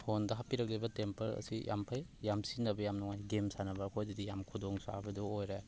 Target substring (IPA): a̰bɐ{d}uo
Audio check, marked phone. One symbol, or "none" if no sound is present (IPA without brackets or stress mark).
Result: d